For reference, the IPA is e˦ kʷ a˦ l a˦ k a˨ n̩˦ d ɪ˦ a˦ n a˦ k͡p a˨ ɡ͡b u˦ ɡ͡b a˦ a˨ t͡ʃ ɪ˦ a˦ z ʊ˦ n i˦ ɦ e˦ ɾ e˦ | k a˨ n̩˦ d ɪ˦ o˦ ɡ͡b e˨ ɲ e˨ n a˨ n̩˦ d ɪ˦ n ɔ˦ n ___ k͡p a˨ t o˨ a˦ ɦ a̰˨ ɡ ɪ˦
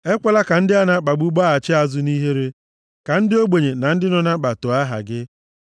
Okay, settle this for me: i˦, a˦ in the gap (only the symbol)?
a˦